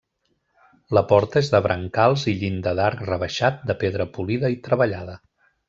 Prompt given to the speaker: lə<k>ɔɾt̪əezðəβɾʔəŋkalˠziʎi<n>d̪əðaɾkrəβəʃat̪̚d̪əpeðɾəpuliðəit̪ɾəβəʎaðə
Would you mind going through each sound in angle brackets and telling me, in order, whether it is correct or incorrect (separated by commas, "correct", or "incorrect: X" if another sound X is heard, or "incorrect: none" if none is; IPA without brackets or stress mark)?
incorrect: p, correct